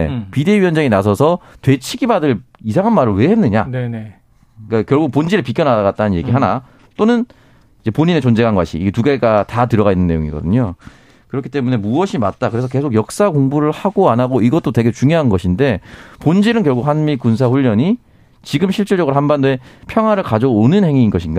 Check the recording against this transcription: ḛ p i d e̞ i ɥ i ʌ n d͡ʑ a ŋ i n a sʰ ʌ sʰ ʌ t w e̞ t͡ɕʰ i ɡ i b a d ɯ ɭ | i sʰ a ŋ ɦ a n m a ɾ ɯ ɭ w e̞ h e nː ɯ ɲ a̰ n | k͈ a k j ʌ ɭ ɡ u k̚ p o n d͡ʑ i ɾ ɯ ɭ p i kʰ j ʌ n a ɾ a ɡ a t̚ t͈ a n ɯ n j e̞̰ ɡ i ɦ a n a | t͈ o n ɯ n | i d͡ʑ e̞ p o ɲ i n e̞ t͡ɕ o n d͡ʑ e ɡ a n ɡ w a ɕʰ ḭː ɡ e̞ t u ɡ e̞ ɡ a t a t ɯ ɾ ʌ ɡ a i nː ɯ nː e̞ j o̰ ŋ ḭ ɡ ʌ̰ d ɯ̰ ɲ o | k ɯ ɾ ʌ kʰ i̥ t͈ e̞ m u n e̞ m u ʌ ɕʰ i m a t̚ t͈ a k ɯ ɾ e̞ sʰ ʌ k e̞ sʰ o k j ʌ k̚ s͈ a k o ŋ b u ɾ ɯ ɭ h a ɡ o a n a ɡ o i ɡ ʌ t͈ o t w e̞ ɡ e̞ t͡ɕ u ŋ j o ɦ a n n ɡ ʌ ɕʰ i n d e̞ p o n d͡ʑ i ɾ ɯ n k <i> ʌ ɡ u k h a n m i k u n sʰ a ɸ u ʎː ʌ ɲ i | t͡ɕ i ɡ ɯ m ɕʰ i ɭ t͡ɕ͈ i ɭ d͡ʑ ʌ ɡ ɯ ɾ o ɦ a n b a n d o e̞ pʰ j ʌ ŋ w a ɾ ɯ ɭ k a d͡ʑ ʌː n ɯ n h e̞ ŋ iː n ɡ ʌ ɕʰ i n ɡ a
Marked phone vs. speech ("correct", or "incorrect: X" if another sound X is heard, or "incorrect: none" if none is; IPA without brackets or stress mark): incorrect: j